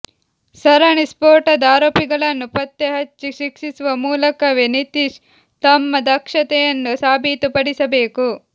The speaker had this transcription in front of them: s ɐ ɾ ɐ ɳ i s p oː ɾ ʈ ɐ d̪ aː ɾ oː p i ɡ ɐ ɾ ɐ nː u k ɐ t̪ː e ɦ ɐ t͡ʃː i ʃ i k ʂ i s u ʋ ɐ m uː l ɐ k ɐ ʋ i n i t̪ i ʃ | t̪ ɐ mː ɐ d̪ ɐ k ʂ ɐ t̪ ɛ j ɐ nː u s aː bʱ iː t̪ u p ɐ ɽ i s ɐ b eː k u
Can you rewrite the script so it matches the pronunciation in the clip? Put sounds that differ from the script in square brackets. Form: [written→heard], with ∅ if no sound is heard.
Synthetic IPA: s ɐ ɾ ɐ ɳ i s p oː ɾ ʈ ɐ d̪ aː ɾ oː p i ɡ ɐ [ɾ→ɭ] ɐ nː u [k→p] ɐ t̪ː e ɦ ɐ t͡ʃː i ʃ i k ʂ i s u ʋ ɐ m uː l ɐ k ɐ ʋ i n i t̪ i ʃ | t̪ ɐ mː ɐ d̪ ɐ k ʂ ɐ t̪ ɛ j ɐ nː u s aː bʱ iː t̪ u p ɐ ɽ i s ɐ b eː k u